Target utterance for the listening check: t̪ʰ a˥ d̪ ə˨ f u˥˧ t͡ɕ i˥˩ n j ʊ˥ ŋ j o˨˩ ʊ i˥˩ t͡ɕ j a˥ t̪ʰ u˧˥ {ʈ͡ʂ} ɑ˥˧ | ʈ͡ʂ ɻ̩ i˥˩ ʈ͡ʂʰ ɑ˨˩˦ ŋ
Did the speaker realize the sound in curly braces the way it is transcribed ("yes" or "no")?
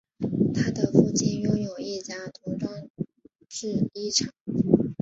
yes